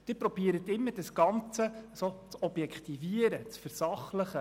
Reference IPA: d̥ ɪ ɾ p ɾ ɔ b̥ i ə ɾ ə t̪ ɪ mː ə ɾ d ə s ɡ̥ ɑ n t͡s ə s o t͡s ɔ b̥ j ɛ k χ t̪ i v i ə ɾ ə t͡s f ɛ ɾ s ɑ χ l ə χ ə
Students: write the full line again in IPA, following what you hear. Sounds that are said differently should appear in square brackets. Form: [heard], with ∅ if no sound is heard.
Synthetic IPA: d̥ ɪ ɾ p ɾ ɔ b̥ i ə ɾ ə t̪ ɪ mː ə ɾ d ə s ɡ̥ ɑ n t͡s ə s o t͡s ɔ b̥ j ɛ k χ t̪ i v i ə ɾ ə t͡s f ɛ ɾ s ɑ χ l ə χ ə